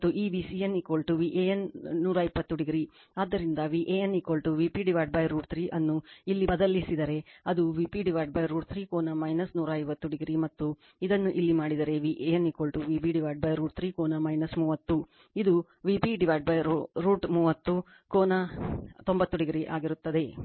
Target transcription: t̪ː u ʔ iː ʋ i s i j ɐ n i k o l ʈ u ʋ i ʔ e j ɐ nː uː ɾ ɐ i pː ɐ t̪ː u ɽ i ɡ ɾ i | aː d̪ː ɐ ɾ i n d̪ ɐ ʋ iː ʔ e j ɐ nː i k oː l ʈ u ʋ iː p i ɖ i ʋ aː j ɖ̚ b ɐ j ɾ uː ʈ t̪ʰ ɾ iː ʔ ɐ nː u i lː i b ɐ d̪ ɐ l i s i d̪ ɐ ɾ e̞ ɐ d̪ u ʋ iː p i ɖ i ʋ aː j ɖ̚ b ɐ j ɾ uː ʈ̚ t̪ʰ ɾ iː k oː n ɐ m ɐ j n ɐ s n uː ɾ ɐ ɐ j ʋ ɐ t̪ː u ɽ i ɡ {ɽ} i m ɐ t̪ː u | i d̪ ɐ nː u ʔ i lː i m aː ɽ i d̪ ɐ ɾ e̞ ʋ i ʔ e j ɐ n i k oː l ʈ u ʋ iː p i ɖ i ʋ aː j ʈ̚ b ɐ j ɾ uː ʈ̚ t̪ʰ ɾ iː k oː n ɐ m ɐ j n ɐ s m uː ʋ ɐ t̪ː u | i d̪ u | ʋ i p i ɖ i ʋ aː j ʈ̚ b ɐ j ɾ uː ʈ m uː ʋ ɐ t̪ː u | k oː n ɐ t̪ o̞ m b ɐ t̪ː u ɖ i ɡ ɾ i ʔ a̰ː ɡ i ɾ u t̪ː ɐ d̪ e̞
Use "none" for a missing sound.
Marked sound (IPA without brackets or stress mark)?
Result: ɾ